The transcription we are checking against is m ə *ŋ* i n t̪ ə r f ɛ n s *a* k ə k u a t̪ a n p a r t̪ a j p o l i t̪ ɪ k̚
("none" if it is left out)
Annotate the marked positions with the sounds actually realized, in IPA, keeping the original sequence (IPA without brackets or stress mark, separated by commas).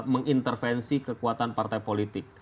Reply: ŋ, i